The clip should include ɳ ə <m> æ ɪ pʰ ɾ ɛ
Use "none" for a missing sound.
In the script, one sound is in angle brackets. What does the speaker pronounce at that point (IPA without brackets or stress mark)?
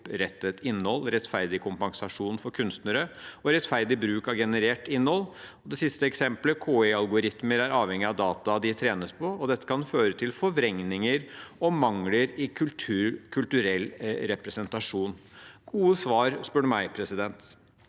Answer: m